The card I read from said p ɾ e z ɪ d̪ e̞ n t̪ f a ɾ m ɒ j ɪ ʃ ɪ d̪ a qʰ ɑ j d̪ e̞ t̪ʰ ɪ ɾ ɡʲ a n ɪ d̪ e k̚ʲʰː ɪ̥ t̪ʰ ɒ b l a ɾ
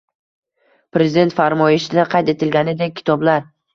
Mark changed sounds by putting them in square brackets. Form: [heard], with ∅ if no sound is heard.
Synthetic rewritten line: p ɾ e z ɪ d̪ e̞ n t̪ f a ɾ m ɒ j ɪ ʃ ɪ d̪ a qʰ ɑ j [t̪] e̞ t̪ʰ ɪ [l] ɡʲ a n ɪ d̪ e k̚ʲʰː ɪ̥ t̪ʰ ɒ b l a ɾ